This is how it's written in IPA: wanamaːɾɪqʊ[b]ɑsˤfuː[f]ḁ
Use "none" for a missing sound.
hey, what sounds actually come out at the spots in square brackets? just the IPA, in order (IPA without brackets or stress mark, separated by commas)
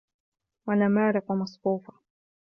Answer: m, f